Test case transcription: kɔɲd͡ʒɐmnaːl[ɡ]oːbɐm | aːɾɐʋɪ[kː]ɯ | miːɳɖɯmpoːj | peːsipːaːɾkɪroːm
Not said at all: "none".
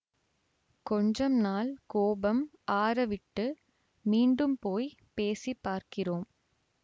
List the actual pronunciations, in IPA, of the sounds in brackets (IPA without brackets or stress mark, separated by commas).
k, ʈː